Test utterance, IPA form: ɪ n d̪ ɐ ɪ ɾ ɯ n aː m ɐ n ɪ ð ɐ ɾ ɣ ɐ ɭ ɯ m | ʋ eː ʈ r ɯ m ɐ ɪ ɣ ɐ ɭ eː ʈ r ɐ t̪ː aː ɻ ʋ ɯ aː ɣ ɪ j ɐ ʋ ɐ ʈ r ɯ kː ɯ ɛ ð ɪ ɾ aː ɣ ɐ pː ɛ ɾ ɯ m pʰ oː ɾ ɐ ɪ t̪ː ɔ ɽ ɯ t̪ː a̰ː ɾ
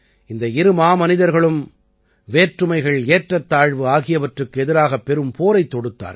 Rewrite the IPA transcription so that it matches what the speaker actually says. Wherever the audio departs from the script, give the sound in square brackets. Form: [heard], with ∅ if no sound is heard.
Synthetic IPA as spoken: ɪ n d̪ ɐ ɪ ɾ ɯ [m] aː m ɐ n ɪ ð ɐ ɾ ɣ ɐ ɭ ɯ m | ʋ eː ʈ r ɯ m ɐ ɪ ɣ ɐ ɭ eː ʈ r ɐ t̪ː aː ɻ ʋ ɯ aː ɣ ɪ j ɐ ʋ ɐ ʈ r ɯ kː ɯ ɛ ð ɪ ɾ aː ɣ ɐ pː ɛ ɾ ɯ m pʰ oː ɾ ɐ ɪ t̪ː ɔ ɽ ɯ t̪ː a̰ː ɾ